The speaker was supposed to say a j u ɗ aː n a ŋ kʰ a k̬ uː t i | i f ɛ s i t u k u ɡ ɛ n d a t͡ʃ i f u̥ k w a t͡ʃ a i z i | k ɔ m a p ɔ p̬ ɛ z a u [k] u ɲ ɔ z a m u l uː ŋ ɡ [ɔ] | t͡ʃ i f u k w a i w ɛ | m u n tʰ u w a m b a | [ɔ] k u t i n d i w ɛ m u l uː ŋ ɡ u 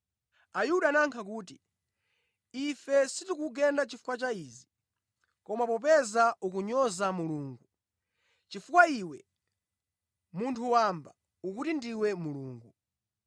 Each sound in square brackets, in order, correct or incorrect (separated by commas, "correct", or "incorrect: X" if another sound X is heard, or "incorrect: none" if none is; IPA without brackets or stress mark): correct, incorrect: u, incorrect: u